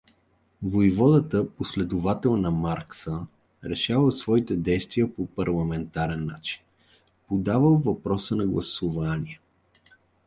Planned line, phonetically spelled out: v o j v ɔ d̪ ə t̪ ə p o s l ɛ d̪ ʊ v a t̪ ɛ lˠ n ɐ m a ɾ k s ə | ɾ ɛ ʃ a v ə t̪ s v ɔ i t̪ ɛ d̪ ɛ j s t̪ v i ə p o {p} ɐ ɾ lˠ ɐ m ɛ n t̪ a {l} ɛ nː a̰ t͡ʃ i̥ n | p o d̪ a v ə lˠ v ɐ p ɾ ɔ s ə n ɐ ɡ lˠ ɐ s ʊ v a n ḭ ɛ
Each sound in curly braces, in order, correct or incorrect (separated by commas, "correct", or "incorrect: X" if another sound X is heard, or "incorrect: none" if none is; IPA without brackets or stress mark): correct, incorrect: ɾ